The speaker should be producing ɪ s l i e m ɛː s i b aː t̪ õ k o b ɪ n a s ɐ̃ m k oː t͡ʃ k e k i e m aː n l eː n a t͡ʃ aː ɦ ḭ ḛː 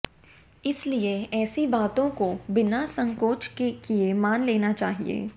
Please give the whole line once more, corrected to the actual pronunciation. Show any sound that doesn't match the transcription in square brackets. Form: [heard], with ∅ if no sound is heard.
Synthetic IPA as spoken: ɪ s l i e [∅] ɛː s i b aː t̪ õ k o b ɪ n a s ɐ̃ [ŋ] k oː t͡ʃ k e k i e m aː n l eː n a t͡ʃ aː ɦ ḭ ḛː

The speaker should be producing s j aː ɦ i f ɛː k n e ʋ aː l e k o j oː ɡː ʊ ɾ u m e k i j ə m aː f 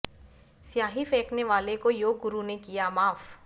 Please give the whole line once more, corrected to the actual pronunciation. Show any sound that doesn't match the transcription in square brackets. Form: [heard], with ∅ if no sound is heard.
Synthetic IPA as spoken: s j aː ɦ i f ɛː k n e ʋ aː l e k o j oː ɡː ʊ ɾ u [n] e k i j [a] m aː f

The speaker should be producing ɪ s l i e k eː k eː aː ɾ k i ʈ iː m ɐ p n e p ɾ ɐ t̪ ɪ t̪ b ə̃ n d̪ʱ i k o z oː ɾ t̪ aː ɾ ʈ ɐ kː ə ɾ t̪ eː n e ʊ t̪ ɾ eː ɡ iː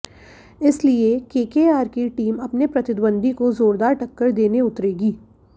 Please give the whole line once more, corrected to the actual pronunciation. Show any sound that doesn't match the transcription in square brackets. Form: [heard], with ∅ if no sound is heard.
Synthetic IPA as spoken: ɪ s l i e k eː k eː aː ɾ k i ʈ iː m ɐ p n e p ɾ ɐ t̪ ɪ [d̪] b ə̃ n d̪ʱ i k o z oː ɾ [d̪] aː ɾ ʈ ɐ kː ə ɾ [d̪] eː n e ʊ t̪ ɾ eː ɡ iː

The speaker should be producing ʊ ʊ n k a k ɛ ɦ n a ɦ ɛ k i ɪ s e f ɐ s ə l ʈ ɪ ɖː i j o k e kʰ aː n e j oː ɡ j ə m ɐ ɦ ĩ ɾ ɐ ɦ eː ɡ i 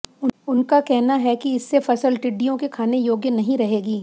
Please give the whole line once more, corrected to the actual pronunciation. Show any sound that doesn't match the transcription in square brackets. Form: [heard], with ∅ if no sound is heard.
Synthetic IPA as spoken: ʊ ʊ n k a k ɛ ɦ n a ɦ ɛ k i ɪ [sː] e f ɐ s ə l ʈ ɪ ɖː i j [õ] k e kʰ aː n e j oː ɡ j ə [n] ɐ ɦ ĩ ɾ ɐ ɦ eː ɡ [iː]

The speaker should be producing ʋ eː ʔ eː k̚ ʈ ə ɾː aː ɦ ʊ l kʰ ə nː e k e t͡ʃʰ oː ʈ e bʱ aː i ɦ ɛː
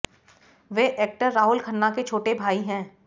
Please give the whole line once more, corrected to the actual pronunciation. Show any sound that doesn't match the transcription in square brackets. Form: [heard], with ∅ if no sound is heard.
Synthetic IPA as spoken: ʋ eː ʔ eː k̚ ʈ ə ɾː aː ɦ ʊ l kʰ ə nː [a] k e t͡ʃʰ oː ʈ e bʱ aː i ɦ [ɛ̃ː]

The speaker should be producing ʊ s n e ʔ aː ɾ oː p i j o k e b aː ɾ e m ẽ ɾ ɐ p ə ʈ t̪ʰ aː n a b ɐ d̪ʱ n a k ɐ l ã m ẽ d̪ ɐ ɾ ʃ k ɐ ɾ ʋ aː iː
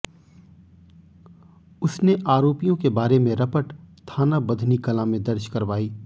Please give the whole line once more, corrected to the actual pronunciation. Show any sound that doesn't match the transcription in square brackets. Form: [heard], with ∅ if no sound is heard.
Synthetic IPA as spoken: ʊ s n e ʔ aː ɾ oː p i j [õ] k e b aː ɾ e m ẽ ɾ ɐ p ə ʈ t̪ʰ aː n a b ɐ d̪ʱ n [i] k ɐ l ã m ẽ d̪ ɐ ɾ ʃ k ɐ ɾ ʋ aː iː

